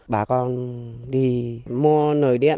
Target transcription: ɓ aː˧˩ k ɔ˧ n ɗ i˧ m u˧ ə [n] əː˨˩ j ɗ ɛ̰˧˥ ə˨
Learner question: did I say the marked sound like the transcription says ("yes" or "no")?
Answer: yes